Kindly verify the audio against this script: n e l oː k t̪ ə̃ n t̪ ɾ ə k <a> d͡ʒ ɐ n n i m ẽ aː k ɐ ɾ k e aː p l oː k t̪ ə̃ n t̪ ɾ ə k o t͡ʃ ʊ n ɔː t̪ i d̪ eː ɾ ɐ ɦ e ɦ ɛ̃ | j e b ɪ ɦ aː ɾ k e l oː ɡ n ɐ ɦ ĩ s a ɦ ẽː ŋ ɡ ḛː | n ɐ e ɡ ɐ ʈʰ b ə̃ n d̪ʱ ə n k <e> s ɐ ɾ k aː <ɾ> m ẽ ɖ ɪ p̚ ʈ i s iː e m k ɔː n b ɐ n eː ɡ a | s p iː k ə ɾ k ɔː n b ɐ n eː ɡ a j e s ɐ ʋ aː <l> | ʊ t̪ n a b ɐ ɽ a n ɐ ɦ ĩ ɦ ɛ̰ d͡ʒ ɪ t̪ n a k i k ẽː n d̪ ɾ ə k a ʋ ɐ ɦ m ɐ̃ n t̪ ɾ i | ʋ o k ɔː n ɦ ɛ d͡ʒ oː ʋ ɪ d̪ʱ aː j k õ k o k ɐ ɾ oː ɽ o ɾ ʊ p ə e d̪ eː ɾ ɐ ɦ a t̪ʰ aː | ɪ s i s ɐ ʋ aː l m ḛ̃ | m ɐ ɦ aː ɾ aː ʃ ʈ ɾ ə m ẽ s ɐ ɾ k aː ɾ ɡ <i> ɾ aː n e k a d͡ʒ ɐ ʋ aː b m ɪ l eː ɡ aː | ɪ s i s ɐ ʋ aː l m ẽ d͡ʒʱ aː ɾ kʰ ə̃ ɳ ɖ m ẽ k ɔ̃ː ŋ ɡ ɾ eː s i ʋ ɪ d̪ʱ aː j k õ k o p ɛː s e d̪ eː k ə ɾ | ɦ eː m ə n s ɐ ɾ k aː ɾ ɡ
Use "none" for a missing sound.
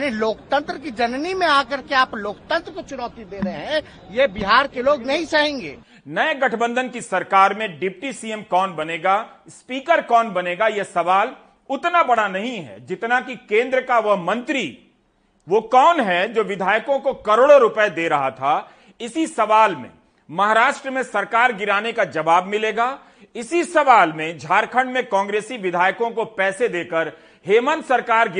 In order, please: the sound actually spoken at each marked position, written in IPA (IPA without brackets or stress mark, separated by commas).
i, i, ɾ, l, ɪ